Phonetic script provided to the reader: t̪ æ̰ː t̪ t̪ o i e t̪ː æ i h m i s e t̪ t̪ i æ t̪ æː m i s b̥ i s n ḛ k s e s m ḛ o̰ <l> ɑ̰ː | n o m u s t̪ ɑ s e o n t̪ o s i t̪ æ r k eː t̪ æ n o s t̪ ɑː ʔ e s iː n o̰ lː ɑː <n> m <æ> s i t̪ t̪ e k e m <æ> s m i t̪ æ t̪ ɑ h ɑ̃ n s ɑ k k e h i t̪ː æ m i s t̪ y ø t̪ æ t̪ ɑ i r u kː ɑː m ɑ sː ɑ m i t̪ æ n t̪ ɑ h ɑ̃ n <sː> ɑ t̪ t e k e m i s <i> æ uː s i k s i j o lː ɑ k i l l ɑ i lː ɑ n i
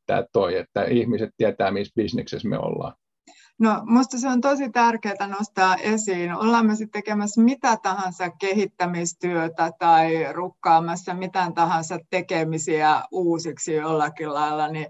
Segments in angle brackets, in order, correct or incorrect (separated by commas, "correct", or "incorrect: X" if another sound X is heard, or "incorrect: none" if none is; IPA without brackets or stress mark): incorrect: lː, incorrect: m, incorrect: e, correct, incorrect: s, correct